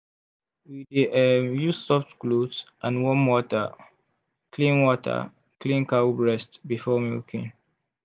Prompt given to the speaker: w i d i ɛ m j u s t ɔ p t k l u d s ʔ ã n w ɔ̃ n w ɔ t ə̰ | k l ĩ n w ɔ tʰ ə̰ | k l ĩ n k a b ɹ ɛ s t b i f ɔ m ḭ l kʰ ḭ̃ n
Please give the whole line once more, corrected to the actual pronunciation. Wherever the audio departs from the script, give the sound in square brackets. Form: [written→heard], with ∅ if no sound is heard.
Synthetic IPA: w i d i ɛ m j u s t ɔ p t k l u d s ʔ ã n w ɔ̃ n w ɔ t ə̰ | k l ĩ n w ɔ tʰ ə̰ | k l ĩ n k a b ɹ ɛ s t b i f ɔ m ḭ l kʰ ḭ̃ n